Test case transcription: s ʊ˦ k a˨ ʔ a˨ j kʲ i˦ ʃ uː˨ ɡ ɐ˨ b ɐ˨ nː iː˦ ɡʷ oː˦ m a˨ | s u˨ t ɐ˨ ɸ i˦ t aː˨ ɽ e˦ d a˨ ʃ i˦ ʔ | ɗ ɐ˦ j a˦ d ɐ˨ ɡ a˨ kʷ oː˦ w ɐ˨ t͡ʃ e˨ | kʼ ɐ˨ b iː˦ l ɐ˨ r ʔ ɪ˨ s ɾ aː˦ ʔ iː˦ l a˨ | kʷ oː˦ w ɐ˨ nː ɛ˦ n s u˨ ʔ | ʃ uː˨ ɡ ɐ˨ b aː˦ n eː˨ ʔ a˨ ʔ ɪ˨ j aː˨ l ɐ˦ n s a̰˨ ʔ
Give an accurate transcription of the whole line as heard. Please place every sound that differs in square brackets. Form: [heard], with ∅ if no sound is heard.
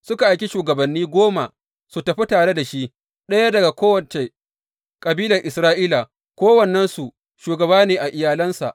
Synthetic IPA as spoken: s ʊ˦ k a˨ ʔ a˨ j kʲ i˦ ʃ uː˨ ɡ ɐ˨ b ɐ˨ nː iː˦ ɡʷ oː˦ m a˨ | s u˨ t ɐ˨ ɸ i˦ t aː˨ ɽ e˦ d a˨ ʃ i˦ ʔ | ɗ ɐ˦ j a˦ d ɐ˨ ɡ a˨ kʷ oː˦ w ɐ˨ t͡ʃ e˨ | kʼ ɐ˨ b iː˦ l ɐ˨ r ʔ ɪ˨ s ɾ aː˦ ʔ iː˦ l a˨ | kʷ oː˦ w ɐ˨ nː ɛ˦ n s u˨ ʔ | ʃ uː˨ ɡ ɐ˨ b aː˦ n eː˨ ʔ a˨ ʔ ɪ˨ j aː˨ l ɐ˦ n s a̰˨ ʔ